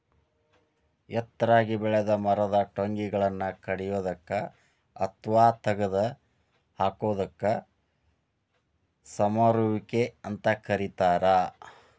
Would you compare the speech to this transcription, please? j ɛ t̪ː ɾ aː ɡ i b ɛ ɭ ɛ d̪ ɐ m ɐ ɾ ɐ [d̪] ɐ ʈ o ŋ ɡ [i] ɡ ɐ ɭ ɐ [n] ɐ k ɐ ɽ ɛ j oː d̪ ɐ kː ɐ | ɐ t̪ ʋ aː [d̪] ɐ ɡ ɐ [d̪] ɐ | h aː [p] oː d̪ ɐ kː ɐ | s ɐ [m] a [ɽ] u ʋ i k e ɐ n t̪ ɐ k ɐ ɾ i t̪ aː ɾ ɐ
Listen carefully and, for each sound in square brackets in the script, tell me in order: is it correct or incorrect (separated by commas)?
correct, correct, incorrect, incorrect, correct, incorrect, correct, incorrect